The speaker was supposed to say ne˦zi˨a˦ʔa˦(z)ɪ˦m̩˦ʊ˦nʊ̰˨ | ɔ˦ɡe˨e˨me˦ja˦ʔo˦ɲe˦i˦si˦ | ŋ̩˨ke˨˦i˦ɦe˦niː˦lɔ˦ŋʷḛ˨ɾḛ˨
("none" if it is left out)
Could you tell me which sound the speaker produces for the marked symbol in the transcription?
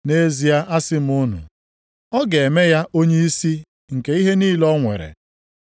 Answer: s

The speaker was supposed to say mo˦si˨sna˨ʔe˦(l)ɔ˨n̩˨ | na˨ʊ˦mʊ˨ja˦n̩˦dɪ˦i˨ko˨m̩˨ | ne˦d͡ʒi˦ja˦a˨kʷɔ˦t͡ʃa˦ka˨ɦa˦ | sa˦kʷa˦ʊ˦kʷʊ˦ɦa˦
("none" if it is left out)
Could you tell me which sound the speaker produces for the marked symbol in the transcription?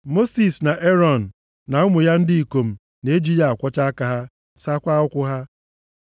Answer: ɾ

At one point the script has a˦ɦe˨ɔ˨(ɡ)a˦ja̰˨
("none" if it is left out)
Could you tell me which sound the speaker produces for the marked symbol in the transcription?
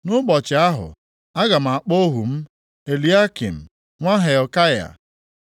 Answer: k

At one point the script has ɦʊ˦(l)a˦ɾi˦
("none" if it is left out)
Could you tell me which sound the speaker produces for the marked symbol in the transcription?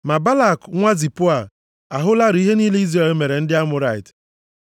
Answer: l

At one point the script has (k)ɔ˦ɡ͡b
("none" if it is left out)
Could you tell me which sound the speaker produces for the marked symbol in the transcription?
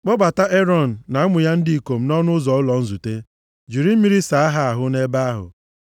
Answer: k͡p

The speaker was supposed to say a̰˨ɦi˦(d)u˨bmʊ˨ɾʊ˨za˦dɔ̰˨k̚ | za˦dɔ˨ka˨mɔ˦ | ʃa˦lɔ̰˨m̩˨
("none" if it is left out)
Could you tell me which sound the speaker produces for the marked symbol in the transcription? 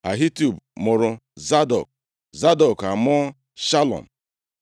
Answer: t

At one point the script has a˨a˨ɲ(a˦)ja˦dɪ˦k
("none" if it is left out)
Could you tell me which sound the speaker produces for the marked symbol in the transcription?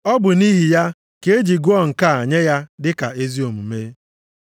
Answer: e˦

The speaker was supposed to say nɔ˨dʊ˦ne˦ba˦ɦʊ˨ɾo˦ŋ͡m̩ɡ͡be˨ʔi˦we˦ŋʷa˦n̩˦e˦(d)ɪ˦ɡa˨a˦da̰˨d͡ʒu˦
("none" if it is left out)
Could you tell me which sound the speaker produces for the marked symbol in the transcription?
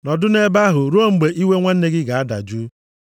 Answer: ɡ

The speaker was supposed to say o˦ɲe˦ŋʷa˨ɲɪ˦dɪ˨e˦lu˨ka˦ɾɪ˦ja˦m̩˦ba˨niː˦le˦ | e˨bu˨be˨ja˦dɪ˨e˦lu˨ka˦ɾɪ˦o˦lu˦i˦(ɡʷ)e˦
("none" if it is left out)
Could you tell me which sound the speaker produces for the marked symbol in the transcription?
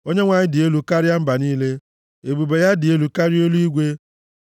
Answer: ɡʷ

